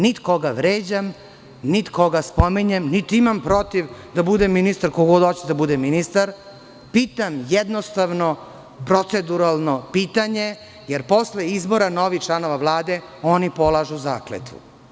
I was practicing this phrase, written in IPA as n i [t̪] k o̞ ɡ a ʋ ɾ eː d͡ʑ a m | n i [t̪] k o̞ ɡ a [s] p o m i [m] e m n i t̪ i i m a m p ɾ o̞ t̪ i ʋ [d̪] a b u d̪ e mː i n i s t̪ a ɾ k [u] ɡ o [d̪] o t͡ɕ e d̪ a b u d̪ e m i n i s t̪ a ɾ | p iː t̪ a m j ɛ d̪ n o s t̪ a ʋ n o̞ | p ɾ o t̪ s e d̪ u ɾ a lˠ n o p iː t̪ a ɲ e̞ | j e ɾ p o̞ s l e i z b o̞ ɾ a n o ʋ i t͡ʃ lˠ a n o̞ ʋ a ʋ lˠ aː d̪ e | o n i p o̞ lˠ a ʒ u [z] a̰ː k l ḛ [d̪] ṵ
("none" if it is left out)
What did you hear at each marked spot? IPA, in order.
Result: t̪, t̪, s, ɲ, d̪, o, d̪, z, t̪

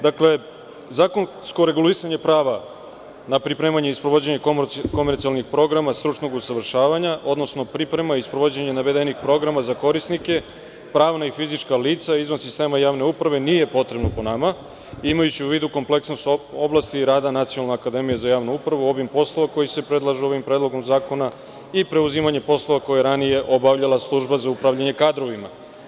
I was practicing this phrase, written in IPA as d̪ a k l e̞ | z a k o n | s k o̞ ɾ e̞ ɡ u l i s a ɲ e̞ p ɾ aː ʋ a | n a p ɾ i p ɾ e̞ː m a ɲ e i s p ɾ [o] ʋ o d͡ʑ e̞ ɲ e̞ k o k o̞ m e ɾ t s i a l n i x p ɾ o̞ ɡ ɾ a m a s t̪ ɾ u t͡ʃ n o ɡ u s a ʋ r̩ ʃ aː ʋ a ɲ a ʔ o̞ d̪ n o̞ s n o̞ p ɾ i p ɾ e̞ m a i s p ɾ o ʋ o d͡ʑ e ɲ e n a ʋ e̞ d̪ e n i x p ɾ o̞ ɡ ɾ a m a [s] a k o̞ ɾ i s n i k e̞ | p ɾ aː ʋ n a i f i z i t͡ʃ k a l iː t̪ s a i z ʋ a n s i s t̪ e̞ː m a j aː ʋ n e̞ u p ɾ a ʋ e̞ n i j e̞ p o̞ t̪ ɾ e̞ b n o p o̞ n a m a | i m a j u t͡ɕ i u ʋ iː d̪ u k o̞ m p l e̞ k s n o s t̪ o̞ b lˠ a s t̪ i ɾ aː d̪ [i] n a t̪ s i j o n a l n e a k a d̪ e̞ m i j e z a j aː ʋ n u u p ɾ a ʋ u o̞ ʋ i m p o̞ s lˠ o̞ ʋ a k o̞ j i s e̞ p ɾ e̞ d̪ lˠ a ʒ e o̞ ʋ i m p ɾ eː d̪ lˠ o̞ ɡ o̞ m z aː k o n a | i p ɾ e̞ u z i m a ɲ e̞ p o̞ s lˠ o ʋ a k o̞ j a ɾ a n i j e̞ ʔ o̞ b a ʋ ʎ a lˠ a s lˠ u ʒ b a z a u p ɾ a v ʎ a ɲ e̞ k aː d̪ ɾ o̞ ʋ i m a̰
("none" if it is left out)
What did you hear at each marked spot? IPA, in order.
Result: o, z, a

